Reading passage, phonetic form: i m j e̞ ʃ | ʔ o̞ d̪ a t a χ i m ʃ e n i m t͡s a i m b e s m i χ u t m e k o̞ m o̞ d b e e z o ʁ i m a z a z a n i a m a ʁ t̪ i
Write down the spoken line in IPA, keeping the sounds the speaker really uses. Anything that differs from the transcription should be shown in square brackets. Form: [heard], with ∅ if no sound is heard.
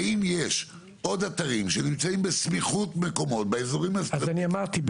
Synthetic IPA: i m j e̞ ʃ | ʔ o̞ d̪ a t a [ʁ] i m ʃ e n i m t͡s a i m b e s m i χ u t m e k o̞ m o̞ [t] b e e z o ʁ i m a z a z a n i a m a ʁ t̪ i